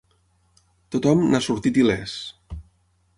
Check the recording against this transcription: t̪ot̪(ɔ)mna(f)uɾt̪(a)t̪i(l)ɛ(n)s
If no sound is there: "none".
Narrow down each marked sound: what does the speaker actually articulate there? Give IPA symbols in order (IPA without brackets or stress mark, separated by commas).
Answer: ɔ, s, i, l, none